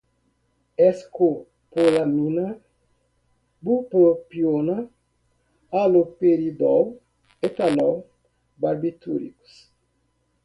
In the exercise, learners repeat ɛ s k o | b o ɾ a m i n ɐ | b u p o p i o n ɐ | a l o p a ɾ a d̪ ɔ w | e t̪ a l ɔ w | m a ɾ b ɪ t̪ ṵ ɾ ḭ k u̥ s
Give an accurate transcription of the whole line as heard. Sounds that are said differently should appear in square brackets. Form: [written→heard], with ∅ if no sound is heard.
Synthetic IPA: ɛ s k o | [b→p] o [ɾ→l] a m i n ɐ | b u p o p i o n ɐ | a l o p [a→e] ɾ [a→i] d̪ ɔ w | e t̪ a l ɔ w | [m→b] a ɾ b [ɪ→i] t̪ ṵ ɾ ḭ k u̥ s